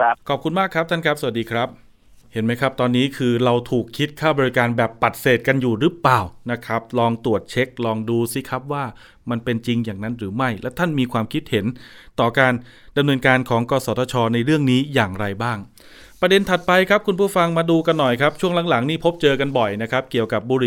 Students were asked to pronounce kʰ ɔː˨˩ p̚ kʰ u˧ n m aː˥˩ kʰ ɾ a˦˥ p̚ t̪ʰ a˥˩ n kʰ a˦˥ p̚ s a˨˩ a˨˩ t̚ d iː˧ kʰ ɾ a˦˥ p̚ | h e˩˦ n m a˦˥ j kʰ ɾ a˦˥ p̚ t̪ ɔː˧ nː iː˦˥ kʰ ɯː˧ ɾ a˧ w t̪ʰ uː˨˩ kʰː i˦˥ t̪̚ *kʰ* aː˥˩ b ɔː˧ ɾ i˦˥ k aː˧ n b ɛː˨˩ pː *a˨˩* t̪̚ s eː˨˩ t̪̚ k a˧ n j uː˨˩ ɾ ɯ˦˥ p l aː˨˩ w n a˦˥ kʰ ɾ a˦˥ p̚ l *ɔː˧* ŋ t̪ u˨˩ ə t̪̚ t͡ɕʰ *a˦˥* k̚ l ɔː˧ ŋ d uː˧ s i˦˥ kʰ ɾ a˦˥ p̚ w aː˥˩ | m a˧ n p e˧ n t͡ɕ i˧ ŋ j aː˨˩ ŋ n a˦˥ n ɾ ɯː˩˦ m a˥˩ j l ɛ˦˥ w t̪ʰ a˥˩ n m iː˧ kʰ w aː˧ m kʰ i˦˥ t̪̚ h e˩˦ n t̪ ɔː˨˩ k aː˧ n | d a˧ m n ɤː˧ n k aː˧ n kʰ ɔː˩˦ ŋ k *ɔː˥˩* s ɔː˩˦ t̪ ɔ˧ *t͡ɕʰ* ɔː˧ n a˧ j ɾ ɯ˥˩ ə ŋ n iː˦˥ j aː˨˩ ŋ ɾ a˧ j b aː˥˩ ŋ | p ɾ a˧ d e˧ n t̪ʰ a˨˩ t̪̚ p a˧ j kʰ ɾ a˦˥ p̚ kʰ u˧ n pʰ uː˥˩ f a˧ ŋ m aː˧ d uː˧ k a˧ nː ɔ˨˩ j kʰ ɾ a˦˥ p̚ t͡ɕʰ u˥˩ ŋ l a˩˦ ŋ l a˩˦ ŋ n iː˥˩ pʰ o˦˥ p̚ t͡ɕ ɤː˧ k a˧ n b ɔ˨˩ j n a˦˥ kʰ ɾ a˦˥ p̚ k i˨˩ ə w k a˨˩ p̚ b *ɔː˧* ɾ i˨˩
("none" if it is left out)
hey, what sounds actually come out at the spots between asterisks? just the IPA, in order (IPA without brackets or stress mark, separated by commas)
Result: kʰ, a˨˩, ɔː˧, e˦˥, ɔː˧, t͡ɕʰ, uː˧